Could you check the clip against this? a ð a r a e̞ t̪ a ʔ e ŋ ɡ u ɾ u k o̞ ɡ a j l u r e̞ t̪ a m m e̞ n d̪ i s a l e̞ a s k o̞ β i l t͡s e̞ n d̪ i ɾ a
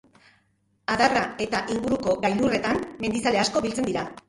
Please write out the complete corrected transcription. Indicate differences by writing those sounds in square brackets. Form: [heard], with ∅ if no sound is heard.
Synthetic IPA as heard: a ð a r a e̞ t̪ a ʔ [i] ŋ ɡ u ɾ u k o̞ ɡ a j l u r e̞ t̪ a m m e̞ n d̪ i s a l e̞ a s k o̞ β i l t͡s e̞ n d̪ i ɾ a